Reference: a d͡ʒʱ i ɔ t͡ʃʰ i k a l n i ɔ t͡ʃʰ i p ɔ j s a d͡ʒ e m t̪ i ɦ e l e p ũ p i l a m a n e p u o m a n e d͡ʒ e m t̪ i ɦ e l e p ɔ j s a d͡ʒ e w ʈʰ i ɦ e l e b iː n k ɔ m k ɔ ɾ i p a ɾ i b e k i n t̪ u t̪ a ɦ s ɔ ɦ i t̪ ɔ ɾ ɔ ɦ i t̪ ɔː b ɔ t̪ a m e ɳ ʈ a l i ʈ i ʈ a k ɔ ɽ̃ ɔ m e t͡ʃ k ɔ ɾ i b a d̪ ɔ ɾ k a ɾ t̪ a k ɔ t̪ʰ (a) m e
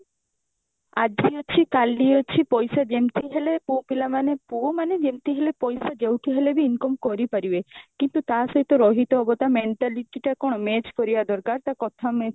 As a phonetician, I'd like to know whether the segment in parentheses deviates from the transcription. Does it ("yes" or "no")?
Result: no